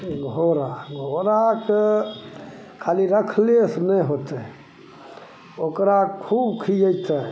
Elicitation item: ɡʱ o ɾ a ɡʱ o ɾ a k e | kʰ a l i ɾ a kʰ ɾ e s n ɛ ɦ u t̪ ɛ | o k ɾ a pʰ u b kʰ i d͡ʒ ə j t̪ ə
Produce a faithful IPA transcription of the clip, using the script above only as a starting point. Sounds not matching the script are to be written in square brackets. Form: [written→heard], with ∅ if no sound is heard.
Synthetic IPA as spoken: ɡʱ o ɾ a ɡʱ o ɾ a k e | kʰ a l i ɾ [a→ə] kʰ [ɾ→l] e s n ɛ ɦ [u→o] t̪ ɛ | o k ɾ a [pʰ→kʰ] u b kʰ i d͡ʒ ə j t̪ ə

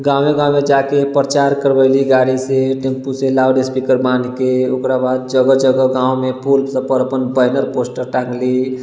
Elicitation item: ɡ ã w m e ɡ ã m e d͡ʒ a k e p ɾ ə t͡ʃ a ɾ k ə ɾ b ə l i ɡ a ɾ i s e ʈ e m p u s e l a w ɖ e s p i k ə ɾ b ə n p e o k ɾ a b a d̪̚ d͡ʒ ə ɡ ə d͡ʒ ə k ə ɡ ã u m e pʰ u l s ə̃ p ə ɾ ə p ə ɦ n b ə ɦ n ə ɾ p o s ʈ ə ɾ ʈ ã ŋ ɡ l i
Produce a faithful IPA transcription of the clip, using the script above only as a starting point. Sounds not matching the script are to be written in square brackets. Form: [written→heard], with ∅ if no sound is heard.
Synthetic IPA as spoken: ɡ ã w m e ɡ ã m e d͡ʒ a k e p ɾ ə t͡ʃ a ɾ k ə ɾ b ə l i ɡ a ɾ i s e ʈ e m p u s e l a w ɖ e s p i k ə ɾ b [ə→a] n [p→k] e o k ɾ a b a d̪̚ d͡ʒ ə ɡ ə d͡ʒ ə [k→ɡ] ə ɡ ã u m e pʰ u l s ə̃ p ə ɾ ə p ə [ɦ→∅] n b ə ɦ n ə ɾ p o s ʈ ə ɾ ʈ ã ŋ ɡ l i

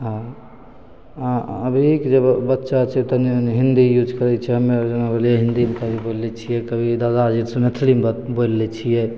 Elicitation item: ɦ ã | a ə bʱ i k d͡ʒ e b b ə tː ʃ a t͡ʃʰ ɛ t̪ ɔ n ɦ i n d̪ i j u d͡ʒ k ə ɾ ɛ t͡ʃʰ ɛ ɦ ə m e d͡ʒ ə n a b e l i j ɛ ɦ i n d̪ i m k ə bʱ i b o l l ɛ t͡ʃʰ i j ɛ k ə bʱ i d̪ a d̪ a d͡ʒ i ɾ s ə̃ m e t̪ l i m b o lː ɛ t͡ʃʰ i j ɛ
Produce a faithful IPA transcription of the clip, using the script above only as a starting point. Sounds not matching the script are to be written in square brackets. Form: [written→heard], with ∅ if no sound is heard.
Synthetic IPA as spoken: ɦ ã | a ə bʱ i k d͡ʒ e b b ə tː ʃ a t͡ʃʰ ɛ t̪ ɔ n ɦ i n d̪ i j u d͡ʒ k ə ɾ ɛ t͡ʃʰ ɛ ɦ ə m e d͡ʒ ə n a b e l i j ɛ ɦ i n d̪ i m k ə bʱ i b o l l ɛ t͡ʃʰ i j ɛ k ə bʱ i d̪ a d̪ a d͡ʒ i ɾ s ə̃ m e [t̪→t̪ʰ] l i m b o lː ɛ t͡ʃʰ i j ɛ

